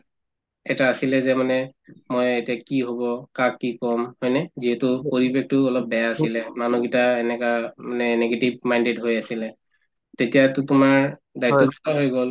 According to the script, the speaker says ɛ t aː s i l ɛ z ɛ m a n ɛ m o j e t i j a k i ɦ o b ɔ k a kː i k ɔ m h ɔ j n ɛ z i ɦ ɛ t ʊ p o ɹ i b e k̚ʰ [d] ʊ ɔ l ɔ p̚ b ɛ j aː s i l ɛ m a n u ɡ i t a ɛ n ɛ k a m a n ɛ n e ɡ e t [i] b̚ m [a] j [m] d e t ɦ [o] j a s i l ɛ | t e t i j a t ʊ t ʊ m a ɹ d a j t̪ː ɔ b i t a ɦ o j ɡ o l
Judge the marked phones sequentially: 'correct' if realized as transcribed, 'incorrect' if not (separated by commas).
incorrect, correct, correct, incorrect, correct